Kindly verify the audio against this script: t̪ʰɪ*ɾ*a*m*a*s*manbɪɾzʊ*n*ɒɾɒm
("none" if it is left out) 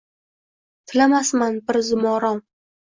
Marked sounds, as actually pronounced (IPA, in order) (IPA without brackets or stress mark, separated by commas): l, m, s, m